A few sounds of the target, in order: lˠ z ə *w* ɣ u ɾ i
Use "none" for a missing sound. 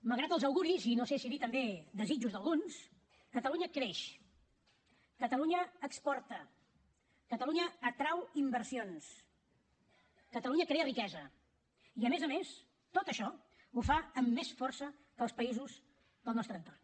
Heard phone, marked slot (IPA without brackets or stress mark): w